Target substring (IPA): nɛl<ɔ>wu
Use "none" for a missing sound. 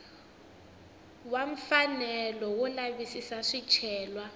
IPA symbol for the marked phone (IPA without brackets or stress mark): ɔ